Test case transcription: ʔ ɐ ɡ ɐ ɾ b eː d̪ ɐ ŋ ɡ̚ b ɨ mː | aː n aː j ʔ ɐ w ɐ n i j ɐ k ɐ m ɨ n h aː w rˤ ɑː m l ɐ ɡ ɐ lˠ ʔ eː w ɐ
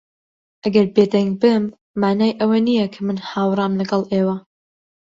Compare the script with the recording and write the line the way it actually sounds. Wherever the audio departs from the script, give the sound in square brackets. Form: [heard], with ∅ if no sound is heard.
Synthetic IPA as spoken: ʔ ɐ ɡ ɐ ɾ b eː d̪ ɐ ŋ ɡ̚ b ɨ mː | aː n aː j ʔ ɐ w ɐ n i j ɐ [kʰ] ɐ m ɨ n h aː w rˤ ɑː m l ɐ ɡ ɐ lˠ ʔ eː w ɐ